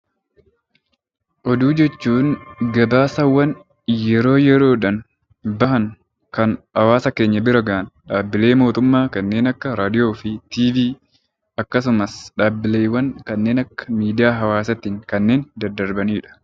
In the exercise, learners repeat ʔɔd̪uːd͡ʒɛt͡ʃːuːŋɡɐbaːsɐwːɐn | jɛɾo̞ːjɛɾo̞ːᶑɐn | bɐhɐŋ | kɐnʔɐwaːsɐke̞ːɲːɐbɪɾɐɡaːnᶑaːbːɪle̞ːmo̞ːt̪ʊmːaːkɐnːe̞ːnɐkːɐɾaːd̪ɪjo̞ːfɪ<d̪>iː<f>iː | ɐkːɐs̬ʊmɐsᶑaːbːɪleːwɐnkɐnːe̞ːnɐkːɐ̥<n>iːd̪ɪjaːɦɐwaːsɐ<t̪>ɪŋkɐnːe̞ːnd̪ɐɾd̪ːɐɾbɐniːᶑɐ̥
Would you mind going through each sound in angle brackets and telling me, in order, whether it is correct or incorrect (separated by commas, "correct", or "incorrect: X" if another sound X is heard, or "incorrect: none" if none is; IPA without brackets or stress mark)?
incorrect: t̪, incorrect: v, incorrect: m, correct